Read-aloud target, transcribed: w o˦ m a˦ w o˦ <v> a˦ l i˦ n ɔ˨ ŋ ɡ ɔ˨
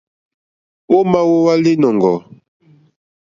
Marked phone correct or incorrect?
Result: incorrect: w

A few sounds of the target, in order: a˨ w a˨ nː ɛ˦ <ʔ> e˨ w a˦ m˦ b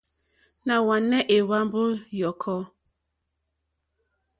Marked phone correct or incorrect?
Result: correct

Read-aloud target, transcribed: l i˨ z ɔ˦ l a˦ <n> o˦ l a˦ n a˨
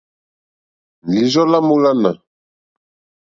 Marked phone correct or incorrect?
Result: incorrect: m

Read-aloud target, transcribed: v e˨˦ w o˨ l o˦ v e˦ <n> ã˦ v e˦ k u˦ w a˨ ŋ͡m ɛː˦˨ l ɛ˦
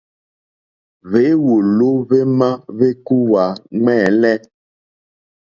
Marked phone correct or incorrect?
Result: incorrect: m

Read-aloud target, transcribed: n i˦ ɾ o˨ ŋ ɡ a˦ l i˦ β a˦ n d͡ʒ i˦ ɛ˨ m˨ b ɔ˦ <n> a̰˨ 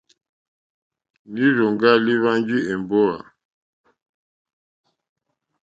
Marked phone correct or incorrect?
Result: incorrect: none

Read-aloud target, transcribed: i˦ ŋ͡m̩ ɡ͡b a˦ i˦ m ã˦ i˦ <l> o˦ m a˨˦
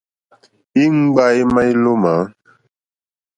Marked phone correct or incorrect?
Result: correct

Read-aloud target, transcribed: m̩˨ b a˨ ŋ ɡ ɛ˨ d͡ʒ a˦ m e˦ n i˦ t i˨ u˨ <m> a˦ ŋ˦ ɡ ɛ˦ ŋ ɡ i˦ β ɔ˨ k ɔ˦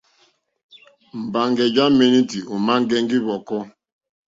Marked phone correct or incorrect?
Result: correct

